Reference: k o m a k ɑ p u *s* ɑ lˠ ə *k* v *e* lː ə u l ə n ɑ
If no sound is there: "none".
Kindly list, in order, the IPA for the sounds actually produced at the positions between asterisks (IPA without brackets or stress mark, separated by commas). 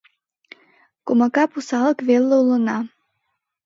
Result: s, k, e